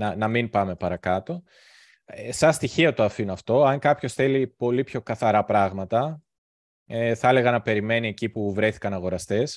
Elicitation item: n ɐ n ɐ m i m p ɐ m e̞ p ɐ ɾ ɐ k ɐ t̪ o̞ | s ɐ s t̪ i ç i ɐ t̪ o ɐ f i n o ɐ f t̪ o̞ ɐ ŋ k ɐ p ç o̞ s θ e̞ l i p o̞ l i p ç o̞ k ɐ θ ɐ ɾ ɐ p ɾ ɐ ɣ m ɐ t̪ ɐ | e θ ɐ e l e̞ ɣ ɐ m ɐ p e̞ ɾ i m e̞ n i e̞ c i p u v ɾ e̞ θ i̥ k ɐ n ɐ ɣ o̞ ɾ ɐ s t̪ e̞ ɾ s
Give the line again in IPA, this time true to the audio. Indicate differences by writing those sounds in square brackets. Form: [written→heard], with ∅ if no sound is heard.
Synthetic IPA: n ɐ n ɐ m i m p ɐ m e̞ p ɐ ɾ ɐ k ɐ t̪ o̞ | s ɐ s t̪ i ç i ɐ t̪ o ɐ f i n o ɐ f t̪ o̞ ɐ ŋ k ɐ p ç o̞ s θ e̞ l i p o̞ l i p ç o̞ k ɐ θ ɐ ɾ ɐ p ɾ ɐ ɣ m ɐ t̪ ɐ | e θ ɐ e l e̞ ɣ ɐ [m→n] ɐ p e̞ ɾ i m e̞ n i e̞ c i p u v ɾ e̞ θ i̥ k ɐ n ɐ ɣ o̞ ɾ ɐ s t̪ e̞ [ɾ→∅] s